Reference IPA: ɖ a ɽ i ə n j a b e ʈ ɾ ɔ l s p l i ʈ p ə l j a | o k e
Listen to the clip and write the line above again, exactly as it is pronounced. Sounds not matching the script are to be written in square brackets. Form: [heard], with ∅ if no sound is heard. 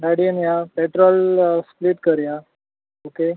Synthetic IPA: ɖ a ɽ i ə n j a [p] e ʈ ɾ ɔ l s p l i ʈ [k] ə [ɾ] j a | o k e